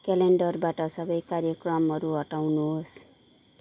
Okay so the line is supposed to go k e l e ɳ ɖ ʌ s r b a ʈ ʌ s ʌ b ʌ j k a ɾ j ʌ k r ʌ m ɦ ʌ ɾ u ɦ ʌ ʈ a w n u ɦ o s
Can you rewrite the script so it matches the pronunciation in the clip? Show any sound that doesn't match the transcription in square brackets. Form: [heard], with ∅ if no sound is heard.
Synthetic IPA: k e l e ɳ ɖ ʌ [∅] r b a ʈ ʌ s ʌ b ʌ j k a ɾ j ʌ k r ʌ m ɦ ʌ ɾ u ɦ ʌ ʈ a w n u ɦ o s